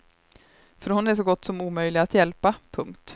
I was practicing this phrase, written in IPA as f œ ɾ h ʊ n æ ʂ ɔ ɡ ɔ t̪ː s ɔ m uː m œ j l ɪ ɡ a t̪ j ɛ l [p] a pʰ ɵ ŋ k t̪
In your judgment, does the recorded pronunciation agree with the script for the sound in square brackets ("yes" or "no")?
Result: yes